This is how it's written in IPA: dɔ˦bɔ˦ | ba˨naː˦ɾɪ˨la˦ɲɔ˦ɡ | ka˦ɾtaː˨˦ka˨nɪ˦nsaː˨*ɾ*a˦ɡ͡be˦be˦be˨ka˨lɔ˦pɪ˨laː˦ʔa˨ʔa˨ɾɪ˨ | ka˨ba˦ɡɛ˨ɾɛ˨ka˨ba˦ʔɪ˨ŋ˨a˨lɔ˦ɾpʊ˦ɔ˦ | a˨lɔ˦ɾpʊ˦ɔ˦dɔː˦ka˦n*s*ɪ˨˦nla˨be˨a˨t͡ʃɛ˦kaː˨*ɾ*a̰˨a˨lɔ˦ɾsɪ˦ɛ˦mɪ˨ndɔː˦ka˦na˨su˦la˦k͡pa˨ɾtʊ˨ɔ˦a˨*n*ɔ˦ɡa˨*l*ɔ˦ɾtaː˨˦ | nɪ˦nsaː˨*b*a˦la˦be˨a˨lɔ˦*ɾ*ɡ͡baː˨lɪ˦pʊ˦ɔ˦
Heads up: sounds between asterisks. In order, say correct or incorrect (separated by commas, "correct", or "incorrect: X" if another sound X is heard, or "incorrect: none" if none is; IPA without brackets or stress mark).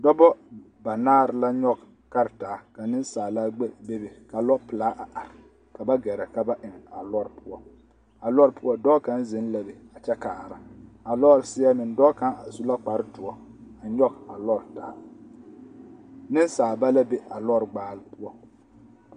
incorrect: l, incorrect: z, correct, incorrect: ɲ, correct, correct, correct